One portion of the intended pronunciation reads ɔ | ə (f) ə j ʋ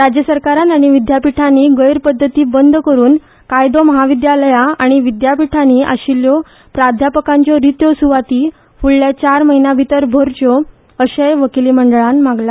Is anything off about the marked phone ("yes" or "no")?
yes